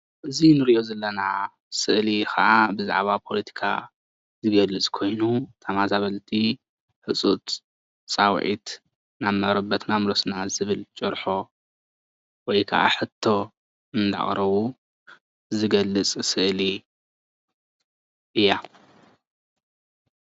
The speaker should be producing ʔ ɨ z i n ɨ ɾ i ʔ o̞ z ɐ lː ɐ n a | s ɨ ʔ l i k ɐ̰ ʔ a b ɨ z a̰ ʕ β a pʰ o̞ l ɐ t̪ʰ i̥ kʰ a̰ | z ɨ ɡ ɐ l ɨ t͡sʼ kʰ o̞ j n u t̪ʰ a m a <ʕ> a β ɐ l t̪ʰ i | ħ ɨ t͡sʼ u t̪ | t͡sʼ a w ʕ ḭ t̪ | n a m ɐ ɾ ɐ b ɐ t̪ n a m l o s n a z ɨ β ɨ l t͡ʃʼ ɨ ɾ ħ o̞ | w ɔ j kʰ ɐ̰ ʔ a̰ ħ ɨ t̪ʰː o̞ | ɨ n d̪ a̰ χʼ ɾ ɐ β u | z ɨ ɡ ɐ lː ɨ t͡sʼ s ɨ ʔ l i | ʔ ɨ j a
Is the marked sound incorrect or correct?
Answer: incorrect: z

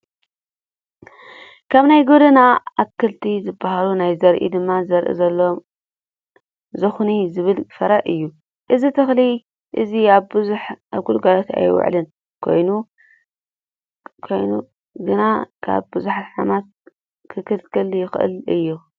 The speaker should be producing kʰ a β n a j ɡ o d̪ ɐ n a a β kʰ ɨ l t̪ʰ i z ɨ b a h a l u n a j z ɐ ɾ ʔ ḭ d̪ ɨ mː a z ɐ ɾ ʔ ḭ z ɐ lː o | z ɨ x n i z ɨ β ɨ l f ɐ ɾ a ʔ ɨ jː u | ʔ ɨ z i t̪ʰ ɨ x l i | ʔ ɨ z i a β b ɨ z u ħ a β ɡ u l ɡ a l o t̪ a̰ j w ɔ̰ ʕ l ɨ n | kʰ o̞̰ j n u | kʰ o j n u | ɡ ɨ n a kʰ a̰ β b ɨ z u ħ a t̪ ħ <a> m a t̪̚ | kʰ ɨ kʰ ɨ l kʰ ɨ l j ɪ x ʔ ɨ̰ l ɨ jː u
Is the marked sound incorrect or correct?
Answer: correct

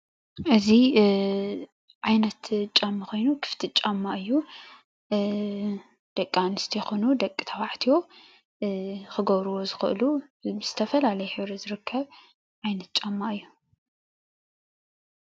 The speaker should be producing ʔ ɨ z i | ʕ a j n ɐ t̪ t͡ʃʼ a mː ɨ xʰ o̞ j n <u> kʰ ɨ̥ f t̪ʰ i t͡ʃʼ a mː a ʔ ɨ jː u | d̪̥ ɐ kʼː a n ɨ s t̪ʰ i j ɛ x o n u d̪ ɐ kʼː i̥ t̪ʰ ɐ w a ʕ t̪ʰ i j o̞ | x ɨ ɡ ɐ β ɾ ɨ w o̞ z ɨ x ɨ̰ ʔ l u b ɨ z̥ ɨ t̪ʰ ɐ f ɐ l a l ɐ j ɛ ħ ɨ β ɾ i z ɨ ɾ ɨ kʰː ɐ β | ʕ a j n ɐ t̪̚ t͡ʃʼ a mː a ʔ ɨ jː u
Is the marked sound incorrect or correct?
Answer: correct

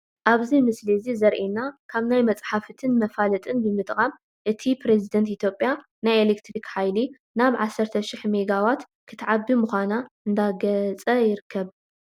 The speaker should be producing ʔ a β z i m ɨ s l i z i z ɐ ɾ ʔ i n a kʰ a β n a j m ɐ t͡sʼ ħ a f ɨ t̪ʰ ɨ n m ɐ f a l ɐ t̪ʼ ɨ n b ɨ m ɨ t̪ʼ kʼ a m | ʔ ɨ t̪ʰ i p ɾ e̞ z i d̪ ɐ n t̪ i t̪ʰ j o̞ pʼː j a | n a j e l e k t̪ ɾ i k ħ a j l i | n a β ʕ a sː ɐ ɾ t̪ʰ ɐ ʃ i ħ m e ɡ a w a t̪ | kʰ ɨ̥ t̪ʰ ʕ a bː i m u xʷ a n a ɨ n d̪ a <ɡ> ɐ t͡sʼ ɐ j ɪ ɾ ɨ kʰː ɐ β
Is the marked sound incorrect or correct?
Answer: correct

